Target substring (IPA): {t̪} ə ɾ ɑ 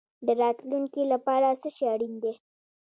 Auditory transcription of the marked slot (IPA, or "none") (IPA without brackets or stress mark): d̪